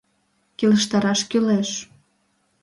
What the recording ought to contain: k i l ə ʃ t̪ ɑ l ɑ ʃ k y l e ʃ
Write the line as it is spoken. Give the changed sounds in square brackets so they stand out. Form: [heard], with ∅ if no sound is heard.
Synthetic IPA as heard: k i l ə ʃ t̪ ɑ [ɾ] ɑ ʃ k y l e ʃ